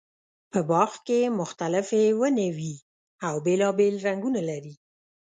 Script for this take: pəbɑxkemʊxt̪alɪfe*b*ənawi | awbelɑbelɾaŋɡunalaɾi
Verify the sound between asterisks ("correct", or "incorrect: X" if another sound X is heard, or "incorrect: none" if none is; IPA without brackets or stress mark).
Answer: incorrect: w